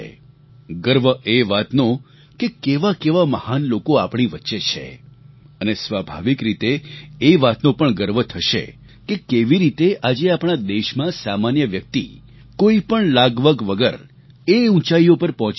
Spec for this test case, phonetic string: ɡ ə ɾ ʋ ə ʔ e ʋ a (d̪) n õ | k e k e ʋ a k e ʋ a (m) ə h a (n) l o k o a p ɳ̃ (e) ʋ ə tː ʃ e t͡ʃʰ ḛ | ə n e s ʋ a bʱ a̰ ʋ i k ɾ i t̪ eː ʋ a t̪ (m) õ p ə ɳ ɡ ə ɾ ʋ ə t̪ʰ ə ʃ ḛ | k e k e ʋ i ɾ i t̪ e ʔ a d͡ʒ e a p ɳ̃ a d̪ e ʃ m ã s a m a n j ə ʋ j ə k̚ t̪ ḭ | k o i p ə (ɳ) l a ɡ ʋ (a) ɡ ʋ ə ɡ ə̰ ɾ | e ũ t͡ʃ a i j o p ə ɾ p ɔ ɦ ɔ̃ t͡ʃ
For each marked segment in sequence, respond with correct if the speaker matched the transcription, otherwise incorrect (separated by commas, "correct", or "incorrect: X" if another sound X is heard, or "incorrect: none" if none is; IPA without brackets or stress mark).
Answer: incorrect: t̪, correct, correct, incorrect: i, incorrect: n, correct, incorrect: ə